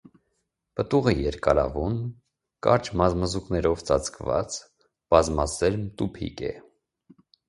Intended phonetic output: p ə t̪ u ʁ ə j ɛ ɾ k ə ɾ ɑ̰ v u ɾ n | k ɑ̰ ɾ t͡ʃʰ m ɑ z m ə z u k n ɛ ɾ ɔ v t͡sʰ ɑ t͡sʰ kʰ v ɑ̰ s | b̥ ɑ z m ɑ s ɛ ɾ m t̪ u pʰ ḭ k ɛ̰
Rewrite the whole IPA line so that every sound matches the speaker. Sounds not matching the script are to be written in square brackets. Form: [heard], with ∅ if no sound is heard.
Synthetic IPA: p ə t̪ u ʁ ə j ɛ ɾ k [ɑ] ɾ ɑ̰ v u [∅] n | k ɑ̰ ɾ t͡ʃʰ m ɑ z m ə z u k n ɛ ɾ ɔ v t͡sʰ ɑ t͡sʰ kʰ v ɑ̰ [t͡s] | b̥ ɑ z m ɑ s ɛ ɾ m t̪ u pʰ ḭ k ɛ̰